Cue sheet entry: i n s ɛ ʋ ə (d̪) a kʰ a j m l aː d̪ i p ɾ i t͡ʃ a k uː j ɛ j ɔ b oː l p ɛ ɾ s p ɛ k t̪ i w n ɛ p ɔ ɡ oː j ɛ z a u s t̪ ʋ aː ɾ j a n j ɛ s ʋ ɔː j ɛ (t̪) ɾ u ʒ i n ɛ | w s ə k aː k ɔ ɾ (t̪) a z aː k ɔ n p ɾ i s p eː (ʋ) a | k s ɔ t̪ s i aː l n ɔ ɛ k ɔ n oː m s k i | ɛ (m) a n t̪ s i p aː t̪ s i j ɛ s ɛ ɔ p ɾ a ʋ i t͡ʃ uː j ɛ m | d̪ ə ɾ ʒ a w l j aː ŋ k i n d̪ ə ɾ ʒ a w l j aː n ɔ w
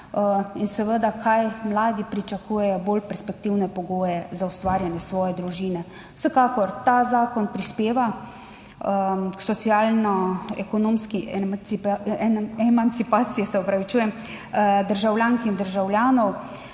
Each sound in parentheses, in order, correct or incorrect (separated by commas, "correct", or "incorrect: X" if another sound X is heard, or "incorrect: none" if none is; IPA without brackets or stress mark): correct, incorrect: d̪, correct, correct, correct